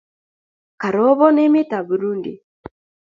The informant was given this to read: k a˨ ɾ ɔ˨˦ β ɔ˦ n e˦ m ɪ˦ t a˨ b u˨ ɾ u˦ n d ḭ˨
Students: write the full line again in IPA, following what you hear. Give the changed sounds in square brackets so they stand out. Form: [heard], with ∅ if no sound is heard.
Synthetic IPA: k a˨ ɾ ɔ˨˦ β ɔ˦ n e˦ m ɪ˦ t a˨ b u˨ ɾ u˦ n d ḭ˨